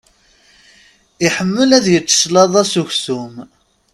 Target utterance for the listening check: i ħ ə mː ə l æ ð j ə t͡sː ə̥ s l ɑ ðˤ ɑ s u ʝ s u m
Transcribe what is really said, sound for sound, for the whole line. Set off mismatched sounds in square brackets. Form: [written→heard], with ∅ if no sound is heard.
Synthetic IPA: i ħ ə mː ə l æ ð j ə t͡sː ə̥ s l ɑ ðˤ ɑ s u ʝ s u m